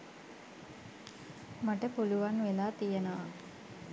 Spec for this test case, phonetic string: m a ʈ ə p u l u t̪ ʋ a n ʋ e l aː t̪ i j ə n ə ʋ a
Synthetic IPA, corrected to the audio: m a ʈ ə p u l u ʋ a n ʋ e l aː t̪ i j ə n ə ʋ a